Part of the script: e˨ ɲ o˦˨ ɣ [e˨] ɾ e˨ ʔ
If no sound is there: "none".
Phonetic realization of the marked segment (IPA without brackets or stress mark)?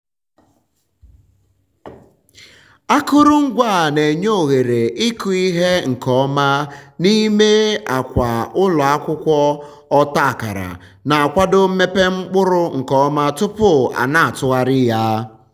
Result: e˨